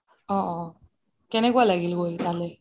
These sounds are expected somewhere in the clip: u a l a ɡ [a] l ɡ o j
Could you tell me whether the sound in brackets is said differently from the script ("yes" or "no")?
yes